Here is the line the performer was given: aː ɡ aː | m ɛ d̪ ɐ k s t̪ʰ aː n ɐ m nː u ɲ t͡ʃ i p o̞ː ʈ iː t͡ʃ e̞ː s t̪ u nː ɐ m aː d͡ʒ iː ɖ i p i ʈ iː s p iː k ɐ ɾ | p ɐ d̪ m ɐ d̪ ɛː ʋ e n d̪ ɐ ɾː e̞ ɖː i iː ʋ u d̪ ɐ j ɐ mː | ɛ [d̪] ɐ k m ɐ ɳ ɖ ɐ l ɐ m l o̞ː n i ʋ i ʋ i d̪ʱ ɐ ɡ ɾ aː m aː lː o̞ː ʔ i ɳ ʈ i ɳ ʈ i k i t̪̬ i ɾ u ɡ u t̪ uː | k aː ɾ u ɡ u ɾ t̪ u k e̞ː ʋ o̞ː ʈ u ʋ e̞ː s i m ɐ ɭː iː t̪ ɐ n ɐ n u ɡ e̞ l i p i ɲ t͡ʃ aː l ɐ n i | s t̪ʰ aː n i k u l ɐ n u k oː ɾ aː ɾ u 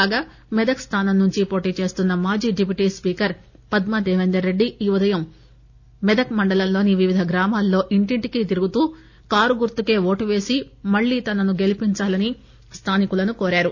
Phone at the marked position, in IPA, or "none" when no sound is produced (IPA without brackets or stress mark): d̪